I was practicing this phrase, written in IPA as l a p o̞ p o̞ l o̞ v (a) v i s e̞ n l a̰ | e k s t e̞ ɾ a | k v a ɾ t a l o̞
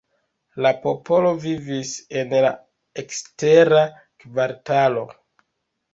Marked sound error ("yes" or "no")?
yes